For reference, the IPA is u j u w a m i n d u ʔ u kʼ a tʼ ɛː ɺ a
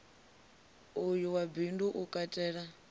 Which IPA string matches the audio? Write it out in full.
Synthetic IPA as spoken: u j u w a b i n d u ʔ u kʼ a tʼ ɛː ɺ a